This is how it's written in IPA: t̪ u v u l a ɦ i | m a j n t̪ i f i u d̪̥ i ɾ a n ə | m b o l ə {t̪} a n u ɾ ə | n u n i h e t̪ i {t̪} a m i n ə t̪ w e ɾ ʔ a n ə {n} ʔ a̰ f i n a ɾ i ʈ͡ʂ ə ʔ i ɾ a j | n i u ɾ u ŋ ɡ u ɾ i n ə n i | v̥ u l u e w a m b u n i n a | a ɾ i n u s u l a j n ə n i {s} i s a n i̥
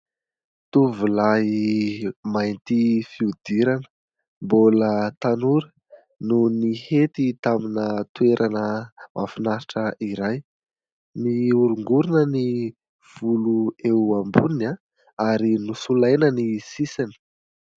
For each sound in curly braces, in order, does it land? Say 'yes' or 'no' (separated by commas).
yes, yes, no, yes